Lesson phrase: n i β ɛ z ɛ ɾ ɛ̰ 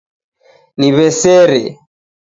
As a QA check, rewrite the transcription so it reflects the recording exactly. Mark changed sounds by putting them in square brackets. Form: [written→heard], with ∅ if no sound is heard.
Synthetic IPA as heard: n i β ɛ [z→s] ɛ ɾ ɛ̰